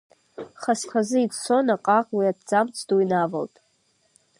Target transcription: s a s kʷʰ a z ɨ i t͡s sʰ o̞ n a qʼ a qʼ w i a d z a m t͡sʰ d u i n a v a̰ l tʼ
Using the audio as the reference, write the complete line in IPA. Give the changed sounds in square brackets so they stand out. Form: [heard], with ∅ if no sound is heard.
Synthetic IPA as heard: [χ] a s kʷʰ a z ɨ i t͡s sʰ o̞ n a qʼ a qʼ w i a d [d͡z] a m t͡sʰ d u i n a v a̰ l tʼ